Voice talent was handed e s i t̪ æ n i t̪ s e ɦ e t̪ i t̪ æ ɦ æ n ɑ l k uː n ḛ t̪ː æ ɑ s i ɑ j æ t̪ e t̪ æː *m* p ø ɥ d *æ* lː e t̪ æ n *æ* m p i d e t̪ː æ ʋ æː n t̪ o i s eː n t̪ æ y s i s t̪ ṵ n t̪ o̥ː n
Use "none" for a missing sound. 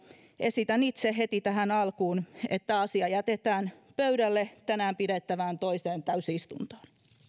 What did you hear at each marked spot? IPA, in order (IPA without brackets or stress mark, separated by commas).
n, æ, æː